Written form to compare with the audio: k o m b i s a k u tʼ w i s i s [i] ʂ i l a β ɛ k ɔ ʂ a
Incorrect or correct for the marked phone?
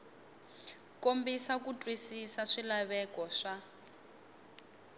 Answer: incorrect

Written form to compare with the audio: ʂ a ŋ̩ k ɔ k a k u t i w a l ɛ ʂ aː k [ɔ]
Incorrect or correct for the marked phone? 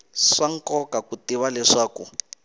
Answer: incorrect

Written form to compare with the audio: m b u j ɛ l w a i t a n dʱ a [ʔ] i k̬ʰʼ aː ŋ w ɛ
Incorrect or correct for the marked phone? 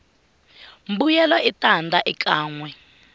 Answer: correct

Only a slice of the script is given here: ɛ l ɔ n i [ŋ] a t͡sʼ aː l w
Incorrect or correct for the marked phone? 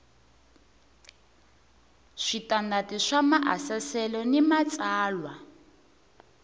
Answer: incorrect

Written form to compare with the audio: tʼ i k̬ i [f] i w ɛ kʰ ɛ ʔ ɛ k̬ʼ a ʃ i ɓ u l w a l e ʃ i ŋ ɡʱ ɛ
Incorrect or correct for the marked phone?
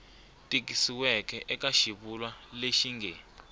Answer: incorrect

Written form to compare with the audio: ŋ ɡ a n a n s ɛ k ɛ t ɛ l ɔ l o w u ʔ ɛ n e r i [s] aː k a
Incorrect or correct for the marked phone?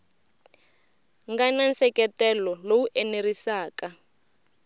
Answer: correct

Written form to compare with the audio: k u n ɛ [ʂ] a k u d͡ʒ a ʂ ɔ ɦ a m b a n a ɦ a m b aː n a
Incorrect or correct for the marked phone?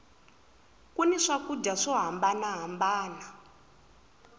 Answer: correct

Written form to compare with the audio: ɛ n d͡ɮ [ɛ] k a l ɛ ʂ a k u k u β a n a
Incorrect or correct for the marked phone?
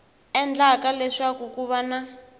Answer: incorrect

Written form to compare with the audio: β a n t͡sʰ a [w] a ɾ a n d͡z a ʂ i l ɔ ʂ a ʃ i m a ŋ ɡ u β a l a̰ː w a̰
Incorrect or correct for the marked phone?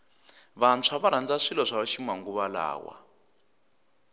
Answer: incorrect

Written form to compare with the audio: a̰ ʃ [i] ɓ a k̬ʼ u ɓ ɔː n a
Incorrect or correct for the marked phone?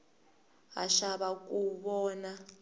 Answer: incorrect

